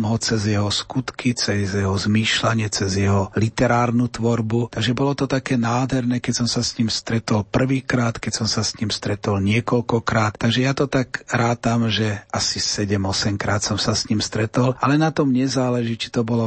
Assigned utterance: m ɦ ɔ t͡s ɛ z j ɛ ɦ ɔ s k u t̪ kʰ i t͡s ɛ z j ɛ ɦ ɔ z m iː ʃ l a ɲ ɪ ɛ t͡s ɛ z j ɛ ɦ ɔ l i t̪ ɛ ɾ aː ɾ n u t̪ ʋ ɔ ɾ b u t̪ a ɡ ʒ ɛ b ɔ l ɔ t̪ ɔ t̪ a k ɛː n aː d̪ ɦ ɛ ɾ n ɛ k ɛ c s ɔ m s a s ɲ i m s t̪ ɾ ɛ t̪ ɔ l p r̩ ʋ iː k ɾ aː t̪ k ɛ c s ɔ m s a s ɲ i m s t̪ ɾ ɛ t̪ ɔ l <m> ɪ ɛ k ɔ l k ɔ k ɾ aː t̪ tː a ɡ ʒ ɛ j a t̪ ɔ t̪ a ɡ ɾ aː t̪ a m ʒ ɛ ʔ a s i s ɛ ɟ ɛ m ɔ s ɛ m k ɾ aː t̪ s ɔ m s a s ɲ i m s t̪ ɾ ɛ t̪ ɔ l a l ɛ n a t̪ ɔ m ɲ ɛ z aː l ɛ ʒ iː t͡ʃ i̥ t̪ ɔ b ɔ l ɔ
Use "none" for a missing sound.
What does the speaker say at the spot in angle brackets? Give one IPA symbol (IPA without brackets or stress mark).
ɲ